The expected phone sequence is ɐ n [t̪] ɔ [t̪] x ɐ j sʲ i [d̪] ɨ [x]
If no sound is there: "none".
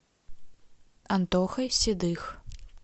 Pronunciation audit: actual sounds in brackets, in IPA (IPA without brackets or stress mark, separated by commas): t̪, none, d̪, x